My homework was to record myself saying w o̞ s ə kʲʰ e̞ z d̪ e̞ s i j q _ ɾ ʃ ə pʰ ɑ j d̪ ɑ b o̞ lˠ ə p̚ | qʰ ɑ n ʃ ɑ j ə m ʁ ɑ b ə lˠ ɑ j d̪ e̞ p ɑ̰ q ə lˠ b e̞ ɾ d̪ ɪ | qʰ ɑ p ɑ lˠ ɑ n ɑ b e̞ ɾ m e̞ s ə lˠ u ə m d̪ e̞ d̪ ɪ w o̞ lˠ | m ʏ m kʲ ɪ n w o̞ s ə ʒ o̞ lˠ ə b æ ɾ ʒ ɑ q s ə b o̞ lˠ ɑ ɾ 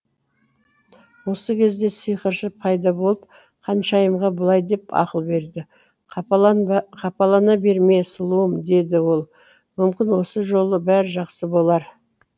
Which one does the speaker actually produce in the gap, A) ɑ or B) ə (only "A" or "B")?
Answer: B